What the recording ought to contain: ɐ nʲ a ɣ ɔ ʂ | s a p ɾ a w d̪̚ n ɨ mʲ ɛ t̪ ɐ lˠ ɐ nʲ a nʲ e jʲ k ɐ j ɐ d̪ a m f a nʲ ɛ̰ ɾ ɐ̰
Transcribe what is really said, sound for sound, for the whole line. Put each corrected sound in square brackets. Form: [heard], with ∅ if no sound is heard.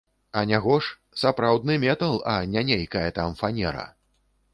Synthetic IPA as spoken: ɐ nʲ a ɣ ɔ ʂ | s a p ɾ a w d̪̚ n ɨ mʲ ɛ t̪ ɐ lˠ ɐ nʲ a nʲ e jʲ k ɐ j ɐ [t̪] a m f a nʲ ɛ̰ ɾ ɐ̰